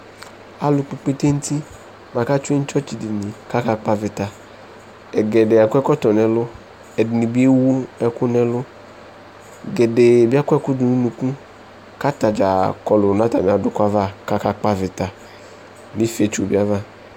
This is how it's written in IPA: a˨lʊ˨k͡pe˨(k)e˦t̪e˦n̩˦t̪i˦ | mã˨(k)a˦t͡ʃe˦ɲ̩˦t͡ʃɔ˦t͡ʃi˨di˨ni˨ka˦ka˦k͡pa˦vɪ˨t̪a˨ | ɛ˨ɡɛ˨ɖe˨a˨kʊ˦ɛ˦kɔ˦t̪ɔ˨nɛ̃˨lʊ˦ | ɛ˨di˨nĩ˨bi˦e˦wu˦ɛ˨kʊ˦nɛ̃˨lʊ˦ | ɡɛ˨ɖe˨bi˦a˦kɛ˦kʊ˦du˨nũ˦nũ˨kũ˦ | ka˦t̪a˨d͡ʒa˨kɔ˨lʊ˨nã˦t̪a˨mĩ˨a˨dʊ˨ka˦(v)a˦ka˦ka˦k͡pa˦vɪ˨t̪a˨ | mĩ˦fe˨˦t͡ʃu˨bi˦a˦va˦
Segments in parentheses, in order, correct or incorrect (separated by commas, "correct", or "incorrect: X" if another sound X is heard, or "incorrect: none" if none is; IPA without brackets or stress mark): incorrect: k͡p, correct, correct